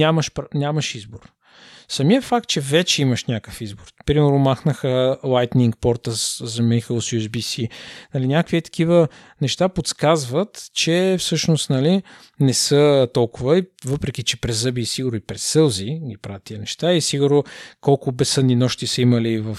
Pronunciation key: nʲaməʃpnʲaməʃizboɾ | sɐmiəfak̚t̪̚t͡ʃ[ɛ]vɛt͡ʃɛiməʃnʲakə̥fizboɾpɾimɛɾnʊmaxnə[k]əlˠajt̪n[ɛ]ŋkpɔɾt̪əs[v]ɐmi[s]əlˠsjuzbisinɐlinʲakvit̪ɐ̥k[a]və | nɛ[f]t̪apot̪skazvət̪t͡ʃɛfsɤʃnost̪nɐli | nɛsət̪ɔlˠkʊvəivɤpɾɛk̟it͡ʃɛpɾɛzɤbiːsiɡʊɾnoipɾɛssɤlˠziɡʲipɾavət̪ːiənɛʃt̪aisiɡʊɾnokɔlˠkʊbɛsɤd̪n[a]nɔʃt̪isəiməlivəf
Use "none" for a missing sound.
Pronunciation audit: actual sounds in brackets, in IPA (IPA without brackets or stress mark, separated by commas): ɛ, x, i, z, x, i, ʃ, i